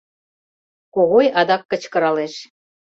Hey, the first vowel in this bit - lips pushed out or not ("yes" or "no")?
yes